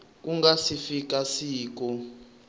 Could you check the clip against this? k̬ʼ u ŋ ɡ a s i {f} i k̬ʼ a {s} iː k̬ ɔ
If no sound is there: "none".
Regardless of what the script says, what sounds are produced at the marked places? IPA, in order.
f, s

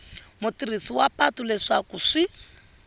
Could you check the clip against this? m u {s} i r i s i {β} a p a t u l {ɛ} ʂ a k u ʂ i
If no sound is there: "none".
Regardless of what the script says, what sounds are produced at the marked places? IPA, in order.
t, w, ɛ

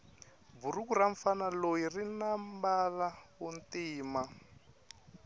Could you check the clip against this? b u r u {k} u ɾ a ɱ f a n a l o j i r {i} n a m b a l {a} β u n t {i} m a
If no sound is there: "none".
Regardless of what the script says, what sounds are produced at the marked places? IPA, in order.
k, i, a, iː

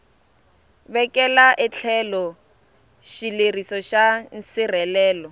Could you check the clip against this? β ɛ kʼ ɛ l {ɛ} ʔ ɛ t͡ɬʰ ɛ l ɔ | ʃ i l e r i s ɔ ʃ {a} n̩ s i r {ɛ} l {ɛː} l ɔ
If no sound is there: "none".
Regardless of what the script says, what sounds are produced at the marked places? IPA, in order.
a, a, ɛ, ɛː

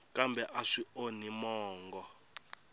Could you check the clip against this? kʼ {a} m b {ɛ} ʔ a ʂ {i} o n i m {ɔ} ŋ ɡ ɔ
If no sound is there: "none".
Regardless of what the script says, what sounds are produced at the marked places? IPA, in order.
a, ɛ, i, ɔː

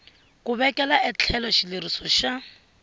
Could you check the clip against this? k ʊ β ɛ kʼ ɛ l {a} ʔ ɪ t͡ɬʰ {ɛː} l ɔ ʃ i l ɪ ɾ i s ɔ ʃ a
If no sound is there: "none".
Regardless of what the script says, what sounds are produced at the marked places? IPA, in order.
a, ɛ

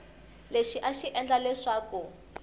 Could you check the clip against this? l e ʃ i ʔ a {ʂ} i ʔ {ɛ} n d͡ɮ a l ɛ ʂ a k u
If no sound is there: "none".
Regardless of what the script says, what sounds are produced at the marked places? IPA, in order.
ʃ, ɛ

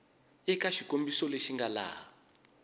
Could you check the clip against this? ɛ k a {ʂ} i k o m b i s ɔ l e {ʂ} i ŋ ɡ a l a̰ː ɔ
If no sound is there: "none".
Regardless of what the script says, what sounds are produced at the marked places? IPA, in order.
ʃ, ʃ

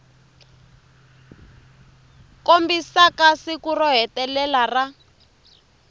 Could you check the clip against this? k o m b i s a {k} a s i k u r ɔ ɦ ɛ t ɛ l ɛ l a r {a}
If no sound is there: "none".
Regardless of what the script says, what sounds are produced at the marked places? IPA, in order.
k, a

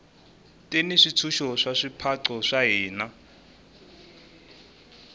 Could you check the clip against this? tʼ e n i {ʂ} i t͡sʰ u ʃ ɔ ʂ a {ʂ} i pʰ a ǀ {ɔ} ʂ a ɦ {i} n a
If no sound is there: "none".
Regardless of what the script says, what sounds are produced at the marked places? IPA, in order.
ʂ, ʂ, ɔ, iː

